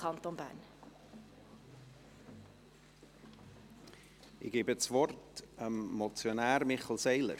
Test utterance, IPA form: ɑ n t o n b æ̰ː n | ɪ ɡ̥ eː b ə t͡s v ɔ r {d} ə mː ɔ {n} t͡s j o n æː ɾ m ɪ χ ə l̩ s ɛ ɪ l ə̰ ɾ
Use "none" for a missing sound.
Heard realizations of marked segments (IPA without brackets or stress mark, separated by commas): t, none